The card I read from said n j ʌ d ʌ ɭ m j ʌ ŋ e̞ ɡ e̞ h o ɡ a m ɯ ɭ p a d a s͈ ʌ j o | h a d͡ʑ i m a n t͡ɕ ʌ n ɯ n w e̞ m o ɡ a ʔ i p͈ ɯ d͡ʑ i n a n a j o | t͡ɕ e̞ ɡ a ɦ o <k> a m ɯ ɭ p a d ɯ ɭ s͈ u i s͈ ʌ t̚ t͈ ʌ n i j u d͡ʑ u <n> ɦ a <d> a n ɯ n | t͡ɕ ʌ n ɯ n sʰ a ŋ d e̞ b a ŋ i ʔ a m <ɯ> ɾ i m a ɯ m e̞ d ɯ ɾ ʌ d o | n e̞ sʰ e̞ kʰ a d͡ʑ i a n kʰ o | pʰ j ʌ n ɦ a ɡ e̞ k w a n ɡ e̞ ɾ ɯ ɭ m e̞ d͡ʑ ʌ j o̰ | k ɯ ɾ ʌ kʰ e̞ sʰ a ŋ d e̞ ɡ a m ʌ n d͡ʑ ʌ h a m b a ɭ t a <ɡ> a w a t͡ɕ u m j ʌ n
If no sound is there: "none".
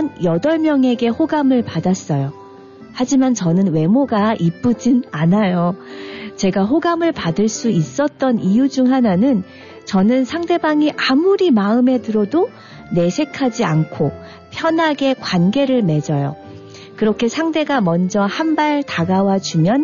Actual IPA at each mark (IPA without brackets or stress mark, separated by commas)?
ɡ, ŋ, n, u, ɡ